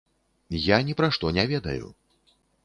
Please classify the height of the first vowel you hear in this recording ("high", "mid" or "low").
low